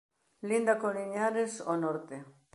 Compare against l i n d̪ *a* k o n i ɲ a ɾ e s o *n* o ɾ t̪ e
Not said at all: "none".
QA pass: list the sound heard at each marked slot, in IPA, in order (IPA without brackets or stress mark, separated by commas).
a, n